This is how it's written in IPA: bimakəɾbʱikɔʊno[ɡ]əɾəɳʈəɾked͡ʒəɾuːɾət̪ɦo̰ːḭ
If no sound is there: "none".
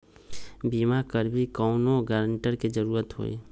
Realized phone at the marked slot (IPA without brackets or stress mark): ɡ